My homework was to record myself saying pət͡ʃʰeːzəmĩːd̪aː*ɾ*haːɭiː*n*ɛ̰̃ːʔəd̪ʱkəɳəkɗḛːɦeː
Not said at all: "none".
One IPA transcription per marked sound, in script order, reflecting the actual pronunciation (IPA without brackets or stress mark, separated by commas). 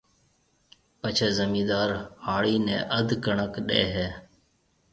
ɾ, n